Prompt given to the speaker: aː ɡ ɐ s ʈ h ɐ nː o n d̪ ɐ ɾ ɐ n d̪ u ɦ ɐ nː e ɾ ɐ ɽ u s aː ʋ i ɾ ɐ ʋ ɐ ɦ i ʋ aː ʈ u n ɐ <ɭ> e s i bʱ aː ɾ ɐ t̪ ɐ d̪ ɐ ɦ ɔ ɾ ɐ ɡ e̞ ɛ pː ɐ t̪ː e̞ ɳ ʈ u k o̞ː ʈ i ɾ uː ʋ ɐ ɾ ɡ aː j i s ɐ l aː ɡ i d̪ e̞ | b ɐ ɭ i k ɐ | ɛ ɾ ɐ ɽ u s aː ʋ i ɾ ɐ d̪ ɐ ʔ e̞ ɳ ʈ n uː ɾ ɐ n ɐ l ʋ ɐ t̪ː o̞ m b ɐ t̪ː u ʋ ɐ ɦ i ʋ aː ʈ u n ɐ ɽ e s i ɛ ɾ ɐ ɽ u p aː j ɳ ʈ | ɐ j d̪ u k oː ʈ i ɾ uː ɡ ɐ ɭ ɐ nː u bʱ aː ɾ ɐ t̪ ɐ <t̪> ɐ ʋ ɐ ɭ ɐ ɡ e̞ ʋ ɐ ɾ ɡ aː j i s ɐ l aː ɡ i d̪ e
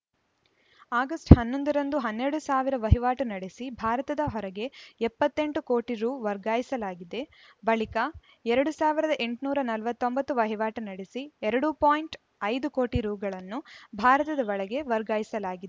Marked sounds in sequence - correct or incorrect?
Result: incorrect: ɽ, incorrect: d̪

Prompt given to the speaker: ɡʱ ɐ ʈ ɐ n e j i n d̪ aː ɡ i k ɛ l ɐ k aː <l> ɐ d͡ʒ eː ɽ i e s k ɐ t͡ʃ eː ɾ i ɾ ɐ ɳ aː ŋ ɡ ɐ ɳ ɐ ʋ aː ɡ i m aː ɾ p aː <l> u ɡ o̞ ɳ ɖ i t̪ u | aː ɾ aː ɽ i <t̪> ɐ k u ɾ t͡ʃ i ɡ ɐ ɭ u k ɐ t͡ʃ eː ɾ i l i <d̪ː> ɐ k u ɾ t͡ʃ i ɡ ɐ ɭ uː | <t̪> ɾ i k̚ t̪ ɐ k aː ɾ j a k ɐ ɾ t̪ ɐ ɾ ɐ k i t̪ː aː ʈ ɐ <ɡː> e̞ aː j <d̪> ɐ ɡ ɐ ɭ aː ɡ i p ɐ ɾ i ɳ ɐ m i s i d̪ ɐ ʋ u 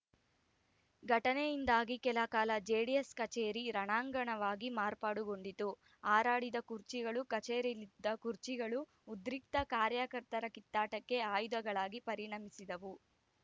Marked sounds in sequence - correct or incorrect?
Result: correct, incorrect: ɽ, incorrect: d̪, correct, incorrect: d̪, incorrect: kː, correct

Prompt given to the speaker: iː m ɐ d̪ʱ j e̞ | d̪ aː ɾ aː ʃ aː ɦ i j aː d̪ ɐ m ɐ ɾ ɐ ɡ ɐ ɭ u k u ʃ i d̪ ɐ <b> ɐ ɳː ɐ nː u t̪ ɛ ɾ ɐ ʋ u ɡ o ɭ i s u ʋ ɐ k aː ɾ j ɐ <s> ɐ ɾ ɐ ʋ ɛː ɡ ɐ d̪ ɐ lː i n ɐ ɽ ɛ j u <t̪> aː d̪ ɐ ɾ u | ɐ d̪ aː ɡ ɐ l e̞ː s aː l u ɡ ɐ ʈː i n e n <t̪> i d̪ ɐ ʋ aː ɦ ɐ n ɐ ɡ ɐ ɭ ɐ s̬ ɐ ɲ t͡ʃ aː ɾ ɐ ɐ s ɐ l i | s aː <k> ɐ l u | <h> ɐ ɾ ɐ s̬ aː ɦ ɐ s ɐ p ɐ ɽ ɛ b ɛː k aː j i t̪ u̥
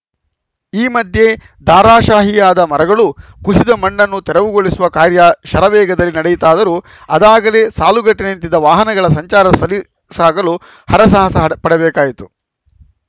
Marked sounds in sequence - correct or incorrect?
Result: incorrect: m, incorrect: ʃ, correct, correct, incorrect: ɡ, correct

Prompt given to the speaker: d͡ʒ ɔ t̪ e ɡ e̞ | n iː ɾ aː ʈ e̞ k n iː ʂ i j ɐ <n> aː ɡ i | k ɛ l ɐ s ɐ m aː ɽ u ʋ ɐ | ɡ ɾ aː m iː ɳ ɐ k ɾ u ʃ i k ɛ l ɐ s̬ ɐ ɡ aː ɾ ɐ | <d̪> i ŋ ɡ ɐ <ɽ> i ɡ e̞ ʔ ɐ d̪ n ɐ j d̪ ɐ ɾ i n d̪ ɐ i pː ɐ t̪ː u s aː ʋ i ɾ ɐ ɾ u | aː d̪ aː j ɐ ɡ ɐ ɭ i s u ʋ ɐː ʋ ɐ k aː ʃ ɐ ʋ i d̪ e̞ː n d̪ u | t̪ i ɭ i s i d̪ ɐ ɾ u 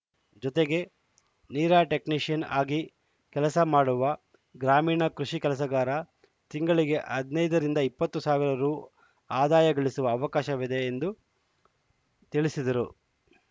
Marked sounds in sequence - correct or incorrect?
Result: correct, incorrect: t̪, incorrect: ɭ

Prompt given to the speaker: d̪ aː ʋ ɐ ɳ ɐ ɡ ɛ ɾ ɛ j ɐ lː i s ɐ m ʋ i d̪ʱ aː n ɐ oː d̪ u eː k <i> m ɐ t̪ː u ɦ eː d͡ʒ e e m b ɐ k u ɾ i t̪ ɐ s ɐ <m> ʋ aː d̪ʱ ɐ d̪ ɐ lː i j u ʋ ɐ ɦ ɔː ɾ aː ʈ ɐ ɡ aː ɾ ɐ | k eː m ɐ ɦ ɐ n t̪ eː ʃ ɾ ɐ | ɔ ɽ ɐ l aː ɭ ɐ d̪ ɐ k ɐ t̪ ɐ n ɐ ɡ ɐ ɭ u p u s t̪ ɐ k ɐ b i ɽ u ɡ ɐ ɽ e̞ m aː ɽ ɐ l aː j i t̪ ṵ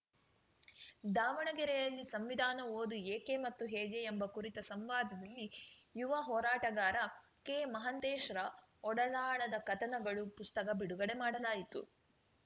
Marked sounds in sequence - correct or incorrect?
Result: incorrect: e, correct

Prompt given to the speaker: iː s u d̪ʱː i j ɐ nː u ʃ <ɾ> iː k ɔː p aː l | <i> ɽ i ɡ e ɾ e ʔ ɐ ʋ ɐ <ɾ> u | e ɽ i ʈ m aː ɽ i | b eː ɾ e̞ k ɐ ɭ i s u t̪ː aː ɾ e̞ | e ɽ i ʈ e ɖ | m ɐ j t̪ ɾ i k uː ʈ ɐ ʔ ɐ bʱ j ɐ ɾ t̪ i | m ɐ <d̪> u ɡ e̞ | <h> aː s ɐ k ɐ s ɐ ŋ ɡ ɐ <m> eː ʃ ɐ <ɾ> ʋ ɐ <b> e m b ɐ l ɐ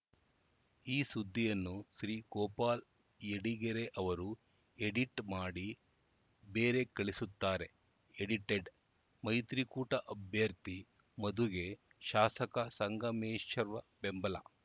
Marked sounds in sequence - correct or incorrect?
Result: correct, incorrect: e, correct, correct, incorrect: ʃ, correct, correct, correct

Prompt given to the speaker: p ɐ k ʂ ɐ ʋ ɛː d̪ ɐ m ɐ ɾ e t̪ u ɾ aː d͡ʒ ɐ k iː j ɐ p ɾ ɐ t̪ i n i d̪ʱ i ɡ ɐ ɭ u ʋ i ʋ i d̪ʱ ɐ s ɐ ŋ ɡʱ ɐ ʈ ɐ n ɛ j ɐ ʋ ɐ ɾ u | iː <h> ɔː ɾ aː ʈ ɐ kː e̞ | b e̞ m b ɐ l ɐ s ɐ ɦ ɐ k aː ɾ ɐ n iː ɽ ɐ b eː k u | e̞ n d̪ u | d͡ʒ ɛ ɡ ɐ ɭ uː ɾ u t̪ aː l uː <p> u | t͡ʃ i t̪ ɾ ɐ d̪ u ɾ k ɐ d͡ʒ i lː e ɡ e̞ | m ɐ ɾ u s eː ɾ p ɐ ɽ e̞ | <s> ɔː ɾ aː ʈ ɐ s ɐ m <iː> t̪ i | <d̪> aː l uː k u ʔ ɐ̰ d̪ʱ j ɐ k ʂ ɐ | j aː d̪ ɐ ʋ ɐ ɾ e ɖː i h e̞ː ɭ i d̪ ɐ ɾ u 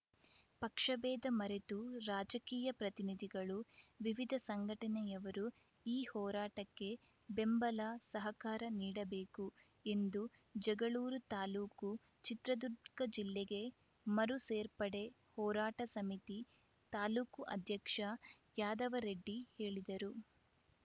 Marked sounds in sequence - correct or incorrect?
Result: correct, incorrect: k, incorrect: h, incorrect: i, incorrect: t̪

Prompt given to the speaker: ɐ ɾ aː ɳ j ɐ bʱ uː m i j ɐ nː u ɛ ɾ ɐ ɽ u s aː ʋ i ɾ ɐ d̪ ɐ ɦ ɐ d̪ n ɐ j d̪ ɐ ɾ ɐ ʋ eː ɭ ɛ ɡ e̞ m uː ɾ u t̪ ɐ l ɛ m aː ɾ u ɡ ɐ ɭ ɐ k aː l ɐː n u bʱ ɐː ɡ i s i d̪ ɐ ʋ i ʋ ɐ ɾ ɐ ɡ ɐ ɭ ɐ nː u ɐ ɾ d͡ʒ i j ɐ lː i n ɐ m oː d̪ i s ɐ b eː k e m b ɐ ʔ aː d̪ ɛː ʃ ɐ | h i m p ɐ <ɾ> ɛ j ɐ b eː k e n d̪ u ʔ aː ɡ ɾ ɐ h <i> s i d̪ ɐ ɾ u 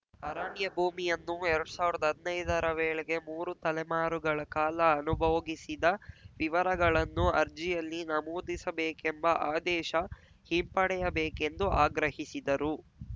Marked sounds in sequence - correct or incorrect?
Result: incorrect: ɽ, correct

